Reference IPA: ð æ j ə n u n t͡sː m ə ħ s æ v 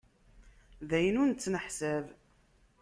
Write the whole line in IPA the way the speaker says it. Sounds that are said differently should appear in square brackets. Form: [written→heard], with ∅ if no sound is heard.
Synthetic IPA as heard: ð æ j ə n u n t͡sː [m→n] ə ħ s æ v